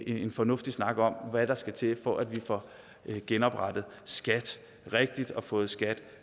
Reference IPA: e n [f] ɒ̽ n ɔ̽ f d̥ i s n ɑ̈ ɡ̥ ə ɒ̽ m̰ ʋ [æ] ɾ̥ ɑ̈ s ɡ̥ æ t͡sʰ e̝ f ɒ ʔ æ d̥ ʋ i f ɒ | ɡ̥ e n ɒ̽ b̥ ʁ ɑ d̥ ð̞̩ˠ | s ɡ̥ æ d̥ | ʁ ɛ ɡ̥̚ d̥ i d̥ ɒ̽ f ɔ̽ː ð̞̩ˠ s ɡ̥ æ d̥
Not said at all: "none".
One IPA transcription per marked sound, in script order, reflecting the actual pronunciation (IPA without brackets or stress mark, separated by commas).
f, æ